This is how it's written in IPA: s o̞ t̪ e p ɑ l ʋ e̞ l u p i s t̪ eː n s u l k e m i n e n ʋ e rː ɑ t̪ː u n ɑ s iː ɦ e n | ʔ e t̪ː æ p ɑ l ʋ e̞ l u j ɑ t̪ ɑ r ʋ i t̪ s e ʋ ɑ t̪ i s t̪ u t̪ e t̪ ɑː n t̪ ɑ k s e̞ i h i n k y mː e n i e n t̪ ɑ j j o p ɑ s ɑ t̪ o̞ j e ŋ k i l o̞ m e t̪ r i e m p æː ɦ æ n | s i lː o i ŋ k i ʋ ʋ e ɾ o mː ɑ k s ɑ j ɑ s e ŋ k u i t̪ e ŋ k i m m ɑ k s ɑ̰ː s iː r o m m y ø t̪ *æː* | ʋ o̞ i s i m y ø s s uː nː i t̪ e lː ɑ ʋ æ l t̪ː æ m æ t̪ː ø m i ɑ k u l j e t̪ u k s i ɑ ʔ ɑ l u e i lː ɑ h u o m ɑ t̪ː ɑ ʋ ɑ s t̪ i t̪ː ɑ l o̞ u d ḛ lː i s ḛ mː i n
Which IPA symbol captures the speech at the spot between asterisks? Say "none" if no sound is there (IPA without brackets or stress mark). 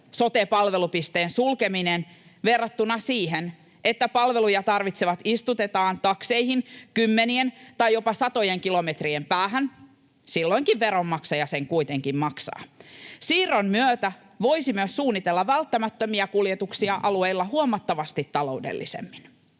æ